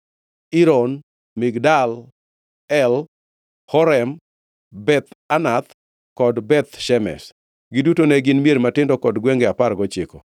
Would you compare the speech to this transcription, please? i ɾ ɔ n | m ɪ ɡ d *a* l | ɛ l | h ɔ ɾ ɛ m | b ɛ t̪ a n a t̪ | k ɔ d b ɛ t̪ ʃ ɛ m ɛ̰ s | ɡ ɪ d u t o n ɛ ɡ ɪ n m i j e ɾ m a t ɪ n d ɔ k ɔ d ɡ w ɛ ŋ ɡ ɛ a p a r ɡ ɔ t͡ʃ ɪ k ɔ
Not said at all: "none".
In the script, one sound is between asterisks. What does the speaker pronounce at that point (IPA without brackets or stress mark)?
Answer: a